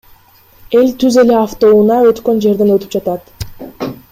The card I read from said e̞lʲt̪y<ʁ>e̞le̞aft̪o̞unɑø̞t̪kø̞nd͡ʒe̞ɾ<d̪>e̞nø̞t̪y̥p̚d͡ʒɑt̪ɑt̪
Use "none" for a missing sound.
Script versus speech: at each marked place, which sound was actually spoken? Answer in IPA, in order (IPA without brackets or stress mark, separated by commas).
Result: z, d̪